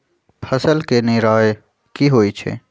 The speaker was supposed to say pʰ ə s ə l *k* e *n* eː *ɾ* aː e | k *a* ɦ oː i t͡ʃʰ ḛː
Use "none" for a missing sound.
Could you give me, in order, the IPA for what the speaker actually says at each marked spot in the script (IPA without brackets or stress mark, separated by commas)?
k, n, ɾ, i